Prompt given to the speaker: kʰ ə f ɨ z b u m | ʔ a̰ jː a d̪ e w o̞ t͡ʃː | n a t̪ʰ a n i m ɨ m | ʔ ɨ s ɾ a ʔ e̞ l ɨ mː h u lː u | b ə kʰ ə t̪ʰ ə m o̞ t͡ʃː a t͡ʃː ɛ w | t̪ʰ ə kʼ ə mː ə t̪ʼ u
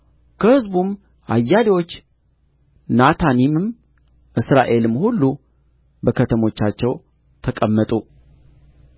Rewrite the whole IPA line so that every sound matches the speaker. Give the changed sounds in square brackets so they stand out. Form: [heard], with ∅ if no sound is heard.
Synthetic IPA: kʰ ə [h] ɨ z b u m | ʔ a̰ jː a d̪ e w o̞ t͡ʃː | n a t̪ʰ a n i m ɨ m | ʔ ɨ s ɾ a ʔ e̞ l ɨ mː h u lː u | b ə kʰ ə t̪ʰ ə m o̞ t͡ʃː a t͡ʃː ɛ w | t̪ʰ ə kʼ ə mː ə t̪ʼ u